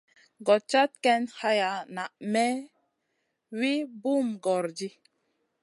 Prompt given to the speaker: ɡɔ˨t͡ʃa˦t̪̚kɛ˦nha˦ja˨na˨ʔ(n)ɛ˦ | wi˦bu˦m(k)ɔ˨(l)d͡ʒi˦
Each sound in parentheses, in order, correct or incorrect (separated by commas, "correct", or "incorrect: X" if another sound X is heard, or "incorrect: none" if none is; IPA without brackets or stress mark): incorrect: m, incorrect: ɡ, incorrect: ɾ